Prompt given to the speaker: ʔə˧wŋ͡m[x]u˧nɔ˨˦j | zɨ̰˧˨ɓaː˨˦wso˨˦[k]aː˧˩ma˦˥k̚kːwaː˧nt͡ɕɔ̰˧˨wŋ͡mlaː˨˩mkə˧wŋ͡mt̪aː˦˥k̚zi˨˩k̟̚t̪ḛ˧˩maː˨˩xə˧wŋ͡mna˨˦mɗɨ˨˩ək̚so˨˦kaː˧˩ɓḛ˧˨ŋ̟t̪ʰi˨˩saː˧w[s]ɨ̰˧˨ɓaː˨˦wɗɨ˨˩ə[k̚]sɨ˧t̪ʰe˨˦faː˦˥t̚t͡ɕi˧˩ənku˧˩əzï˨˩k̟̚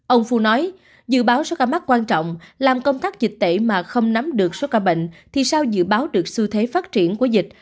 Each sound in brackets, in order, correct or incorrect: incorrect, correct, incorrect, correct

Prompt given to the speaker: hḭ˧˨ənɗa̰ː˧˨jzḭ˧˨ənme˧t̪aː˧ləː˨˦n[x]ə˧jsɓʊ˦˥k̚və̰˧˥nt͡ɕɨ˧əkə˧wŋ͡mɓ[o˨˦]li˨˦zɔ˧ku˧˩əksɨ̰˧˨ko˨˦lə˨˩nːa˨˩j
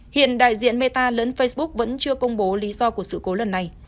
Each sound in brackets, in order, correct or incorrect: incorrect, correct

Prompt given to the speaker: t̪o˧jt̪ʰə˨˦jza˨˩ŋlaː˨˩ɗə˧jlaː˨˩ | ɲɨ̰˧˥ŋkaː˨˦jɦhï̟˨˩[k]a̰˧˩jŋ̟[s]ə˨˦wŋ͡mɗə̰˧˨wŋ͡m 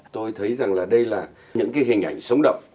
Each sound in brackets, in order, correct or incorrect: incorrect, correct

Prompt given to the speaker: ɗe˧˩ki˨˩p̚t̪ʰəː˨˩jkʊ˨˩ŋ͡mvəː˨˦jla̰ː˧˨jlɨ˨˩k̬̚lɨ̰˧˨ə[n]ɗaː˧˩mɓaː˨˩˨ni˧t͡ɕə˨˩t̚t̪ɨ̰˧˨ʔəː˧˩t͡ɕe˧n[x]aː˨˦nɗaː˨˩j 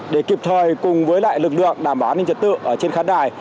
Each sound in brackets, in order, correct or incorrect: incorrect, correct

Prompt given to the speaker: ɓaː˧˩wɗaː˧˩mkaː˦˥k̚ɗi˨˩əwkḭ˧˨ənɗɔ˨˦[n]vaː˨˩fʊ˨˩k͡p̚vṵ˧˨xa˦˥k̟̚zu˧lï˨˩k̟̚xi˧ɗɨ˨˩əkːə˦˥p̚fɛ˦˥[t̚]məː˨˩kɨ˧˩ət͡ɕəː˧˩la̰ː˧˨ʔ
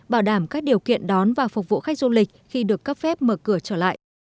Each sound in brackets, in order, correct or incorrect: correct, incorrect

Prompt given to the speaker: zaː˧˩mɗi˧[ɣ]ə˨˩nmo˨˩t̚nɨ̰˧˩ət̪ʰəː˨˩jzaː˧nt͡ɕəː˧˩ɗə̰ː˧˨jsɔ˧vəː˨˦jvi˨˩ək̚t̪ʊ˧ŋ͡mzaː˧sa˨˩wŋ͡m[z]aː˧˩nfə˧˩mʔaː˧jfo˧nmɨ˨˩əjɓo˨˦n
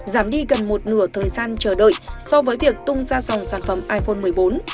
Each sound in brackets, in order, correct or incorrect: correct, incorrect

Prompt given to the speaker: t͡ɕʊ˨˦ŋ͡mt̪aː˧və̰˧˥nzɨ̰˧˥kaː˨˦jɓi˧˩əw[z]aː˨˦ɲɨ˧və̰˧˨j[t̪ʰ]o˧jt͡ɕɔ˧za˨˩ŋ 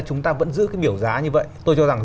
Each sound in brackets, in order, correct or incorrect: correct, incorrect

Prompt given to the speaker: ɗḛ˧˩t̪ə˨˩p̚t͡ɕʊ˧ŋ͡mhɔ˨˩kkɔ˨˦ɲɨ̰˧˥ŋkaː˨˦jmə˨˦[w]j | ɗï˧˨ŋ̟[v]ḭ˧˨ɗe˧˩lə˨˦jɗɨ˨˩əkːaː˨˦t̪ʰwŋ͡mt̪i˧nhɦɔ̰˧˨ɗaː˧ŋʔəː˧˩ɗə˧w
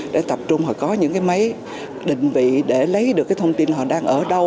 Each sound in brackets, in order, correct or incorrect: incorrect, correct

